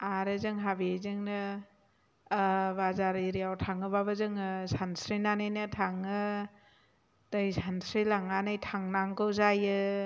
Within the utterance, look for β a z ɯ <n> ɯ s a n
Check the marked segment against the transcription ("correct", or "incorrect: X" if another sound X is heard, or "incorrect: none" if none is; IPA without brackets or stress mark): incorrect: ŋ